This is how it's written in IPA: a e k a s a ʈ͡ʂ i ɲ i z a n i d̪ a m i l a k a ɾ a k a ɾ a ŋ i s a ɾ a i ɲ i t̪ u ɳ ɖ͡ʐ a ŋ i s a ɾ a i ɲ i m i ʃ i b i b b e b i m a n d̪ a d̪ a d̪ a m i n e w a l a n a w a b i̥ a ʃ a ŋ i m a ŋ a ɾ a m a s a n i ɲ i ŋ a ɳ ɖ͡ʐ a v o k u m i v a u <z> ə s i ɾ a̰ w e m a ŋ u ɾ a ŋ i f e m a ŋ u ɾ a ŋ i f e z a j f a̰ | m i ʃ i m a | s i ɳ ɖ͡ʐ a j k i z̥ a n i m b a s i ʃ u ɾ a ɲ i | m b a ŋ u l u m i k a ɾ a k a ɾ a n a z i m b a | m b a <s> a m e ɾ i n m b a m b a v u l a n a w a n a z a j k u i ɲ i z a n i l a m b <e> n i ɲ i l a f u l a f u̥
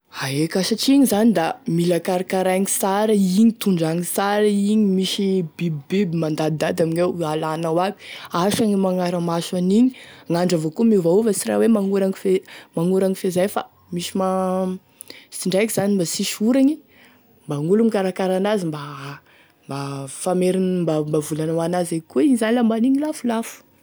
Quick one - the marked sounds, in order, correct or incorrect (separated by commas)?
incorrect, incorrect, incorrect